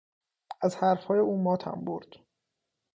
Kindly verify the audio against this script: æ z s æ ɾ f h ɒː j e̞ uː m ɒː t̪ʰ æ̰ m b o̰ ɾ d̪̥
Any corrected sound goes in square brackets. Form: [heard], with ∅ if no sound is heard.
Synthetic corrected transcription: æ z [h] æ ɾ f h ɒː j e̞ uː m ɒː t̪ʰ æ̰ m b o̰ ɾ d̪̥